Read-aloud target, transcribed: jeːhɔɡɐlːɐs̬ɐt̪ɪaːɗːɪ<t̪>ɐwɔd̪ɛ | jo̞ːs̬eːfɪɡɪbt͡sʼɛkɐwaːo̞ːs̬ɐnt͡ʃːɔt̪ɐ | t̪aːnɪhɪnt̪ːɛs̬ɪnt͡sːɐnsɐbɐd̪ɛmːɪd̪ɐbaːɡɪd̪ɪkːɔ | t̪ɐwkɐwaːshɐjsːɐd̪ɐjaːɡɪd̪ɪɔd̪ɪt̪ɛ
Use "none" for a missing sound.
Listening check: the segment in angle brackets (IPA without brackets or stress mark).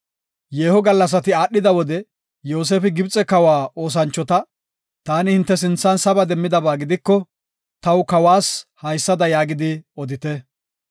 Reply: d̪